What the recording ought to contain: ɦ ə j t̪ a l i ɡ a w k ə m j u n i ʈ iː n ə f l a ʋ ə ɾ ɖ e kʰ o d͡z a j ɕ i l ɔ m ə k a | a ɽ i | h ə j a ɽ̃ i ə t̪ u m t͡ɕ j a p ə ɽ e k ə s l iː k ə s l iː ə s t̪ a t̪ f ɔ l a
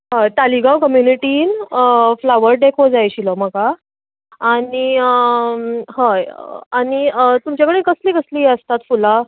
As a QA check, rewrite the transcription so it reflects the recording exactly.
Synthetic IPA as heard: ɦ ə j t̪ a l i ɡ a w k ə m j u n i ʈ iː n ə f l a ʋ ə ɾ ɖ e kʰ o d͡z a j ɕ i l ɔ m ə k a | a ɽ i | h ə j a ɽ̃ i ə t̪ u m t͡ɕ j a k ə ɽ e k ə s l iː k ə s l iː ə s t̪ a t̪ f u l a